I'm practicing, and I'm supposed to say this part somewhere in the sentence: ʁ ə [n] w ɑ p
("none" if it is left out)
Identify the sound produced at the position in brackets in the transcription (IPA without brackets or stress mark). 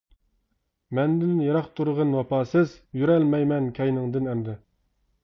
n